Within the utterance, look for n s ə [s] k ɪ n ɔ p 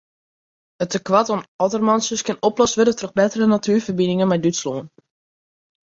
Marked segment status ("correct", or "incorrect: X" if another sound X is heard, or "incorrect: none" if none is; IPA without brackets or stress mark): correct